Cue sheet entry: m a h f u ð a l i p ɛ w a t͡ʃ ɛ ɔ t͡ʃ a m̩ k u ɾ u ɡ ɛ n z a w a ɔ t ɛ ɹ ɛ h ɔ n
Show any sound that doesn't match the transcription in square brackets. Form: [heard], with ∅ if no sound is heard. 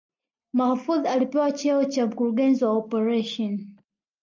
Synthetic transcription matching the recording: m a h f u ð a l i p ɛ w a t͡ʃ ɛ ɔ t͡ʃ a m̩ k u ɾ u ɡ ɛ n z [i] w a ɔ [p] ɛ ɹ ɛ [ʃ] ɔ n